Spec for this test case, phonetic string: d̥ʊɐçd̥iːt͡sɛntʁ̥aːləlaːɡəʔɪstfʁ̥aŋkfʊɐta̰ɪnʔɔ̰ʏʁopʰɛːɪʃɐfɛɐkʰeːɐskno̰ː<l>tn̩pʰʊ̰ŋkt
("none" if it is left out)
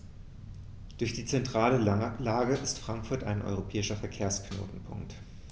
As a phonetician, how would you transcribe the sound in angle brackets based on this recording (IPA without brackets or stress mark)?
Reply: none